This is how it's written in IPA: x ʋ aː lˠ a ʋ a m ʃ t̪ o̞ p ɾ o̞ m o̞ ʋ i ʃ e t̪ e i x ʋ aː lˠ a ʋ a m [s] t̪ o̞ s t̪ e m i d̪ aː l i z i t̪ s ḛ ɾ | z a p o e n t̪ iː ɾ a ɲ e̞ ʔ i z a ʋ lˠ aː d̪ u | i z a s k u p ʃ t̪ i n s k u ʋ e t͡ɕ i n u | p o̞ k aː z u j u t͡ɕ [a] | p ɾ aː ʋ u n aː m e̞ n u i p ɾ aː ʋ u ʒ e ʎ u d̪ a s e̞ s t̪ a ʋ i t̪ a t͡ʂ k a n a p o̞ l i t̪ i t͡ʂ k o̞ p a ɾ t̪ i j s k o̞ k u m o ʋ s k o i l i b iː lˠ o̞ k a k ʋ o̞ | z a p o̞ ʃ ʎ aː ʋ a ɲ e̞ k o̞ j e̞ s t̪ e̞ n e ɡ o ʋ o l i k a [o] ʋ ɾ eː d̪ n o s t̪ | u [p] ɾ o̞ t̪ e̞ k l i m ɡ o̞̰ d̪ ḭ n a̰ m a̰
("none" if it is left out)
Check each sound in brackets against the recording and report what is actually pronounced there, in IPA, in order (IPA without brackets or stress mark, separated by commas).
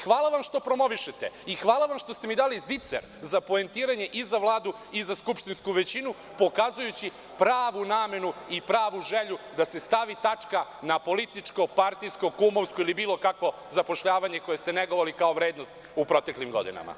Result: ʃ, i, o, p